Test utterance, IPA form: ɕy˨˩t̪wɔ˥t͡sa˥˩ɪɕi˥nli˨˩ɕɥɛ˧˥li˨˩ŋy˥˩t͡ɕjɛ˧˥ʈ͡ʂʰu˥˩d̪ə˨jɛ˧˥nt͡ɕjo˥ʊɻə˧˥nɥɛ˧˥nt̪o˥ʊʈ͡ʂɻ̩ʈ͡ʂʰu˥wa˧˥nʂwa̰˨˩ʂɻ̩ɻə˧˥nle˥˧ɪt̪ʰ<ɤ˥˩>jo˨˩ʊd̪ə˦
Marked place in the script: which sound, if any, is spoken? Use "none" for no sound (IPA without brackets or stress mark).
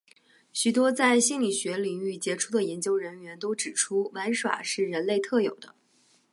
ɤ˥˩